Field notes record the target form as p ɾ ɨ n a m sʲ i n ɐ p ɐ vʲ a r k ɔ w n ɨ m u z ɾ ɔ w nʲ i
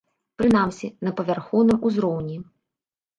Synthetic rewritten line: p ɾ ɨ n a m sʲ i n ɐ p ɐ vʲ a r x ɔ w n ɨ m u z ɾ ɔ w nʲ i